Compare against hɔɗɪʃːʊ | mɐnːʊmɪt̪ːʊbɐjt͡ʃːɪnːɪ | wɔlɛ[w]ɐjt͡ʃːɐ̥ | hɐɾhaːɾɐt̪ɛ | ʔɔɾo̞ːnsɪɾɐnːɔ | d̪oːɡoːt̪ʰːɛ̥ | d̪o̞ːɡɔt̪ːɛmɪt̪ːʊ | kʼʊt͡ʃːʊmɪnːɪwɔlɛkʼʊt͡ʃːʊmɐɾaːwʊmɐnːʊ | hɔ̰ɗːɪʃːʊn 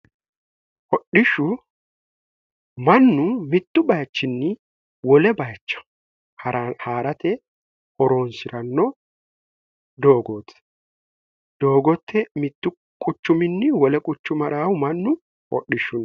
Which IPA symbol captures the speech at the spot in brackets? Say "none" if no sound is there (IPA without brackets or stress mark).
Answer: b